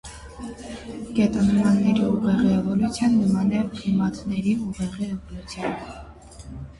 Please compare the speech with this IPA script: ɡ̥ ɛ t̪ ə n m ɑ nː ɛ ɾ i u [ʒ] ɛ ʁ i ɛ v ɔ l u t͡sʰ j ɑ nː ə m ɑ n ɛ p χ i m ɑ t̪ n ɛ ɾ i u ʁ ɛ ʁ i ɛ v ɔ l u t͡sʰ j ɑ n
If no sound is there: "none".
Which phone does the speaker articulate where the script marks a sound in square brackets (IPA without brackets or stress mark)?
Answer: ʁ